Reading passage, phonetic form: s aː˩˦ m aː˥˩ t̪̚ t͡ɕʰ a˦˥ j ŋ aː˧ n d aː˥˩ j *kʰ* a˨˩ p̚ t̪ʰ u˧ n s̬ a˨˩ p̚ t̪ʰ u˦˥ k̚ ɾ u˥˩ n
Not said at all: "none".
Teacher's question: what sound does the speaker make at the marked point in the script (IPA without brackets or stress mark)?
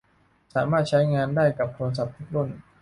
k